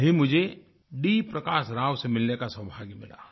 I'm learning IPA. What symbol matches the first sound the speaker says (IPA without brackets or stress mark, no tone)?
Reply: ɦ